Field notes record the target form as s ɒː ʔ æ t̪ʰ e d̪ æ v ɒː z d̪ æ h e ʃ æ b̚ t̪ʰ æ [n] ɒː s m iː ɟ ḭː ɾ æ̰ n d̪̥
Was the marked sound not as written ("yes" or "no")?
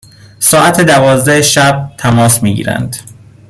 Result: yes